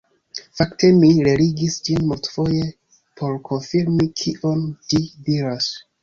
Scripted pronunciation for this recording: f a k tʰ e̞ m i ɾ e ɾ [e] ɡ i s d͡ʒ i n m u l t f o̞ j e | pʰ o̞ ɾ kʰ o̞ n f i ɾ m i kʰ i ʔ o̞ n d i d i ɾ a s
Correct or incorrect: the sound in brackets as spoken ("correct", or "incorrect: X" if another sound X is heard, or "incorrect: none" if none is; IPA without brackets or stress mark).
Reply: incorrect: i